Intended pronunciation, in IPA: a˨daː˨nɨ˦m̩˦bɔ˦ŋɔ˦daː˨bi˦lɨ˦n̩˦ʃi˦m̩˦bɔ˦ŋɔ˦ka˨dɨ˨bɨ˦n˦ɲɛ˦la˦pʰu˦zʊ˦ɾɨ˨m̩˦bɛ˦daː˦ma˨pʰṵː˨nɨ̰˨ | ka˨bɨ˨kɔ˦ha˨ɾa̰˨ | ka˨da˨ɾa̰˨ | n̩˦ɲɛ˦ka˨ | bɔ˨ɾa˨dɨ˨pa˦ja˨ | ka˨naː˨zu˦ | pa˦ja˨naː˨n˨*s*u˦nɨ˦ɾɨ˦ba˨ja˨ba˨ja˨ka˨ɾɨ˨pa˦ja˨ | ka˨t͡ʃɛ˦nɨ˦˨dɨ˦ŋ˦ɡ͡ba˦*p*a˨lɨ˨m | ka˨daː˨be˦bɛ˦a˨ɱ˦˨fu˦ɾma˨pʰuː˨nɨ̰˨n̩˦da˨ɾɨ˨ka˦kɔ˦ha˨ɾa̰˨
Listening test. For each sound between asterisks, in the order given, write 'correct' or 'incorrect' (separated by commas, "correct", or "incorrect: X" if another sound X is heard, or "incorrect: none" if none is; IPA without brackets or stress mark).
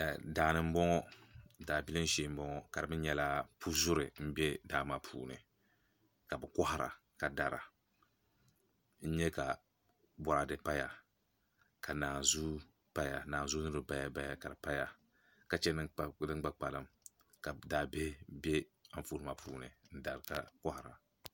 incorrect: z, incorrect: k͡p